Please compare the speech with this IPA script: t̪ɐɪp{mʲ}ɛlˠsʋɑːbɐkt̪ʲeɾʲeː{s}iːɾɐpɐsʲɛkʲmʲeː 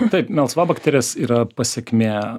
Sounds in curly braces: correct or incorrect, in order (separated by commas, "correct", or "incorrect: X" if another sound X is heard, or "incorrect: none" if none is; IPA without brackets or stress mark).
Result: correct, correct